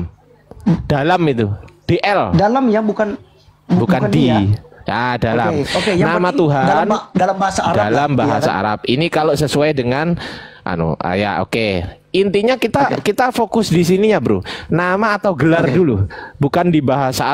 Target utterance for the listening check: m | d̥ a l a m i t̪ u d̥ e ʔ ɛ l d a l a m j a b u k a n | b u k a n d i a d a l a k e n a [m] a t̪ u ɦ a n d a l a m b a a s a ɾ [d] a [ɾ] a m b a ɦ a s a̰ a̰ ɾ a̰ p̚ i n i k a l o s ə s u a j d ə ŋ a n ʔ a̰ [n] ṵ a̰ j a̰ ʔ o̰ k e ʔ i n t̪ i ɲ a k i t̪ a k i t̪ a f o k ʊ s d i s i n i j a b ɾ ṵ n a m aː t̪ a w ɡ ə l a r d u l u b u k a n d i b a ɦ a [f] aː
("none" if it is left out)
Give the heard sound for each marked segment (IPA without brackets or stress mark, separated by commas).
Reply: m, d, l, n, s